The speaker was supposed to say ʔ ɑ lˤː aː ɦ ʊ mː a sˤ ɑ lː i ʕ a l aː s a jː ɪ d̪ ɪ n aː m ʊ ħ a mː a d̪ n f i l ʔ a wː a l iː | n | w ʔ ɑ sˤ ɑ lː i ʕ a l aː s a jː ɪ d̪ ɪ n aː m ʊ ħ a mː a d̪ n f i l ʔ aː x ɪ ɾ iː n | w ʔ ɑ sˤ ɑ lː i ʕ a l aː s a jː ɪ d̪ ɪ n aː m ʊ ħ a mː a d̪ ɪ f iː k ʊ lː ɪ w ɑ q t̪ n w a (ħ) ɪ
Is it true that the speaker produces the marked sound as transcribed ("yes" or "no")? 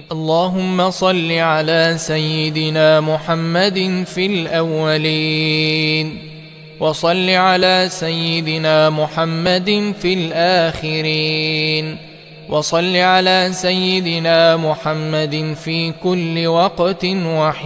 yes